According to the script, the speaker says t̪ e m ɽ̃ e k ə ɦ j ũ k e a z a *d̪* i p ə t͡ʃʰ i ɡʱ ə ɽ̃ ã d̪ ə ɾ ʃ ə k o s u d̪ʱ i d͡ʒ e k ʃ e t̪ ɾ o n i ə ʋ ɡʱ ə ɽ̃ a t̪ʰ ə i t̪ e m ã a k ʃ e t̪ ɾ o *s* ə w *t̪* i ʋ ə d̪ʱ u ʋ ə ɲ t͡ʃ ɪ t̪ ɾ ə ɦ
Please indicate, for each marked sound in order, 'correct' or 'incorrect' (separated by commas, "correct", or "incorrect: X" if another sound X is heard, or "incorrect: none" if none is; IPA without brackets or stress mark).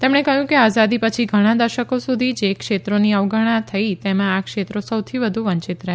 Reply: correct, correct, incorrect: t̪ʰ